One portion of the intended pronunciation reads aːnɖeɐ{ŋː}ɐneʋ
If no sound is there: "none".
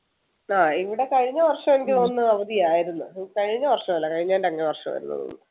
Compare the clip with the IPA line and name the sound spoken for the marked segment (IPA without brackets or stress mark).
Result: ŋː